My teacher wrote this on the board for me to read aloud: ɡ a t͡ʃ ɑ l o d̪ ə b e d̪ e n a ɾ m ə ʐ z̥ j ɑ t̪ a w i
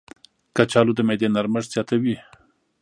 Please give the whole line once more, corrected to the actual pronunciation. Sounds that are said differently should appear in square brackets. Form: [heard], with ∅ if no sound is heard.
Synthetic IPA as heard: [k] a t͡ʃ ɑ l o d̪ ə [m] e d̪ e n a ɾ m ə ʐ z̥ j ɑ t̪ a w i